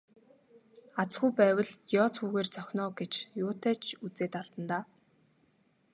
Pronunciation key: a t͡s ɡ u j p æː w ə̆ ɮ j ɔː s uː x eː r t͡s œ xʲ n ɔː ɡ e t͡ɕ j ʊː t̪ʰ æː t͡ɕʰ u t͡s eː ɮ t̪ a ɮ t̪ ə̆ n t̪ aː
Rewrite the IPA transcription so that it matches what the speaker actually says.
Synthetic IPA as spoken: a t͡s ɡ u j p æː w ə̆ ɮ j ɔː t͡s uː ɣ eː r t͡s œ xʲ n ɔː ɡ e t͡ɕ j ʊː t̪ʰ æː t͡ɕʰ u t͡s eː t̪ a ɮ t̪ ə̆ n t̪ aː